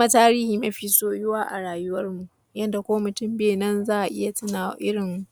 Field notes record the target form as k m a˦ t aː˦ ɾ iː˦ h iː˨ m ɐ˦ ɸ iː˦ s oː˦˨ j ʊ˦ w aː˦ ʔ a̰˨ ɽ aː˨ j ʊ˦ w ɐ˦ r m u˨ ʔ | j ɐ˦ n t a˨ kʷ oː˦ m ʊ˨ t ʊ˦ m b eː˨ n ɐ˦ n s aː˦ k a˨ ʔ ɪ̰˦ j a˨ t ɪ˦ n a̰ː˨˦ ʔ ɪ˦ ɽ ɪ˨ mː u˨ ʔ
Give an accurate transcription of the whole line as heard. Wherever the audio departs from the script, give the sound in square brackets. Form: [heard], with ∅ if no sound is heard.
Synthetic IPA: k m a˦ t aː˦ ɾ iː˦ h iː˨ m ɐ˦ ɸ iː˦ s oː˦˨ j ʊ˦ w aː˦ ʔ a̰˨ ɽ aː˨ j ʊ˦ w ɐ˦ r m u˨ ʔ | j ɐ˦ n [d] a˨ kʷ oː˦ m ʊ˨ t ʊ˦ m b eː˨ n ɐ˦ n [z] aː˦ [ʔ] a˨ ʔ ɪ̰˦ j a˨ t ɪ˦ n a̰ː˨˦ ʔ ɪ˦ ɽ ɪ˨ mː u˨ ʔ